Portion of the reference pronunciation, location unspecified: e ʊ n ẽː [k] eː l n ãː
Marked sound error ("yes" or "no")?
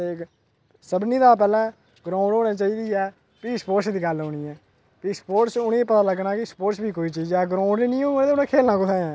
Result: yes